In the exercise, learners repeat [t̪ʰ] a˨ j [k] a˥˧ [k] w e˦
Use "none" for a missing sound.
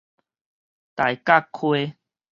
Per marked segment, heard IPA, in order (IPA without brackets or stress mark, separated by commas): t̪, k, kʰ